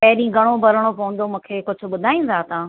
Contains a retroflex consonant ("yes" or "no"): yes